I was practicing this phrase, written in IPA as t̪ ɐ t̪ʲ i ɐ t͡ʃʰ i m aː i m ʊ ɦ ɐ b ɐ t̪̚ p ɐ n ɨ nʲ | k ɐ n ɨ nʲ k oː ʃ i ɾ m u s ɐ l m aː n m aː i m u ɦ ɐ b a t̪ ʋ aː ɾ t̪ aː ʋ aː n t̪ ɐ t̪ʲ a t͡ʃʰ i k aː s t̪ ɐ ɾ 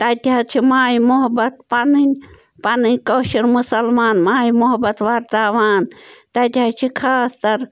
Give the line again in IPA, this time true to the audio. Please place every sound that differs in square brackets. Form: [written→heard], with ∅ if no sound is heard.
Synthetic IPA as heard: t̪ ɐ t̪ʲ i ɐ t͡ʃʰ i m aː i m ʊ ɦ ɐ b ɐ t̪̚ p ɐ n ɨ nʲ | [k→p] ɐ n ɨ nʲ k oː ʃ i ɾ m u s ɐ l m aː n m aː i m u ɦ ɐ b [a→ɐ] t̪ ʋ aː ɾ t̪ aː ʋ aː n t̪ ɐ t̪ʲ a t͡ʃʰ i [k→kʰ] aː s t̪ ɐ ɾ